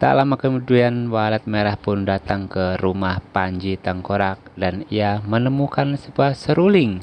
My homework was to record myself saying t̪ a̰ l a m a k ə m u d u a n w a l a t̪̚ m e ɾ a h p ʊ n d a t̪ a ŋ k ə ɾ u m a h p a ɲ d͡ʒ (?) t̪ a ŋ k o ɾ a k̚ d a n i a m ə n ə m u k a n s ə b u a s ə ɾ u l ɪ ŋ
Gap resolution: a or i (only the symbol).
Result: i